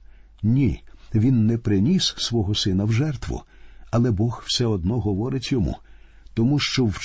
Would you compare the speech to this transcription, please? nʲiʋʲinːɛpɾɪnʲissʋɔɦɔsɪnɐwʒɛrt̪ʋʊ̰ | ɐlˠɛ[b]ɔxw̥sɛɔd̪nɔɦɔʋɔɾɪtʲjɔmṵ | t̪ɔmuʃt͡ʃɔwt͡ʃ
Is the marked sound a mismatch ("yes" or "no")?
no